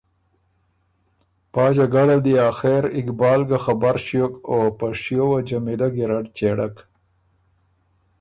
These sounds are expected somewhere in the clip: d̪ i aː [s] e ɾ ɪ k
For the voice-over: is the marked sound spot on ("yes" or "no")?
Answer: no